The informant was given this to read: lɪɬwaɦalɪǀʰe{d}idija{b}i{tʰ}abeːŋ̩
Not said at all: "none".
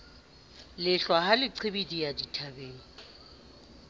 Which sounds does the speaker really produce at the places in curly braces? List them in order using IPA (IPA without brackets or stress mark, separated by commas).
b, d, tʰ